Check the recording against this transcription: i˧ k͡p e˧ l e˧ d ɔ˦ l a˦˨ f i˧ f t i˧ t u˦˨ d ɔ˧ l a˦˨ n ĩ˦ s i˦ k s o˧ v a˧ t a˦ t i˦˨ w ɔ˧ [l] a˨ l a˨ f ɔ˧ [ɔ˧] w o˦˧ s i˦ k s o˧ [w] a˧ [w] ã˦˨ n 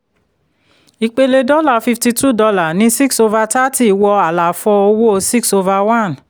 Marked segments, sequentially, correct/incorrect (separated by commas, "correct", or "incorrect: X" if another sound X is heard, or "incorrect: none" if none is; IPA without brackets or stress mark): incorrect: none, incorrect: o˧, incorrect: v, correct